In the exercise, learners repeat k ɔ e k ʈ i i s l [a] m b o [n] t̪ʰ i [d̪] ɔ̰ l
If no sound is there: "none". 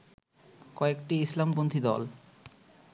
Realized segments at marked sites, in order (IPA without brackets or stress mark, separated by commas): a, n, d̪